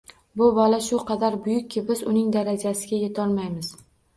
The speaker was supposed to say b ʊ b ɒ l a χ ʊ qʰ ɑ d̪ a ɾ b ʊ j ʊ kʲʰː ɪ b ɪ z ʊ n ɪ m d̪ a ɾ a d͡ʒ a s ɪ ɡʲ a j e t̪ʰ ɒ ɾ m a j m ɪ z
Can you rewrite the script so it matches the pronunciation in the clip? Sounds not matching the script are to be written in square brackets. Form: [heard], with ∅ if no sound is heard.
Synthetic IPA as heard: b ʊ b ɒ l a [ʃ] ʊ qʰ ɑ d̪ a ɾ b ʊ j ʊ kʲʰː ɪ b ɪ z ʊ n ɪ [ŋ] d̪ a ɾ a d͡ʒ a s ɪ ɡʲ a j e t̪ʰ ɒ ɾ m a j m ɪ z